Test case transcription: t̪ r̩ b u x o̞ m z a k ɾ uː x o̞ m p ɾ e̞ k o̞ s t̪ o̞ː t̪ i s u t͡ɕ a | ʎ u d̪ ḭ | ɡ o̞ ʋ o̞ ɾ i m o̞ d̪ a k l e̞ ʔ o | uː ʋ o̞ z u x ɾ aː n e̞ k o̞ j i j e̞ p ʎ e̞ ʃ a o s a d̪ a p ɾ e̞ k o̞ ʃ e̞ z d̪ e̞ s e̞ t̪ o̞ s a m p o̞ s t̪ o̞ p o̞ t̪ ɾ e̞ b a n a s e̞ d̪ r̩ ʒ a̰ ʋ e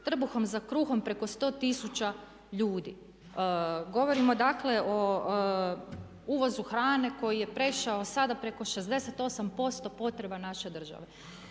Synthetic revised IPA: t̪ r̩ b u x o̞ m z a k ɾ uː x o̞ m p ɾ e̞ k o̞ s t̪ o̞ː t̪ i s u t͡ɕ a | ʎ uː d̪ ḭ | ɡ o̞ ʋ o̞ ɾ i m o̞ d̪ a k l e̞ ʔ o | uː ʋ o̞ z u x ɾ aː n e̞ k o̞ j i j e̞ p ɾ e̞ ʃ a o s a d̪ a p ɾ e̞ k o̞ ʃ e̞ z d̪ e̞ s e̞ t̪ o̞ s a m p o̞ s t̪ o̞ p o̞ t̪ ɾ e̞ b a n a ʃ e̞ d̪ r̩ ʒ a̰ ʋ e